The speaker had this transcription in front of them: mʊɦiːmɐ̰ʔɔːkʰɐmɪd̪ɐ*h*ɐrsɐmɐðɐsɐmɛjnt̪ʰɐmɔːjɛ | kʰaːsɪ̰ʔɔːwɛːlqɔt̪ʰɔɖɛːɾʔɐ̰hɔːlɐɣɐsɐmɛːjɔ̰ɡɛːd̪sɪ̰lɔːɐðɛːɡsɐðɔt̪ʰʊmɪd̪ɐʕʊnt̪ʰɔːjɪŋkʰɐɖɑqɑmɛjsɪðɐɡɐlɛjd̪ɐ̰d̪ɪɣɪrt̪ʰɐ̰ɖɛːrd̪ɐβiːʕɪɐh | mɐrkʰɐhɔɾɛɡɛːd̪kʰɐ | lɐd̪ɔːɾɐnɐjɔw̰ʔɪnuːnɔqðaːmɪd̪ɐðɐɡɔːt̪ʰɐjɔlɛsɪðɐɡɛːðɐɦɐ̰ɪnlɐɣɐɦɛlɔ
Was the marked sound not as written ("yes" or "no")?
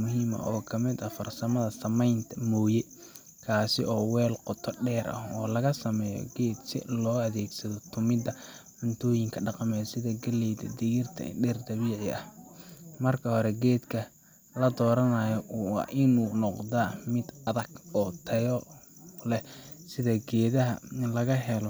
yes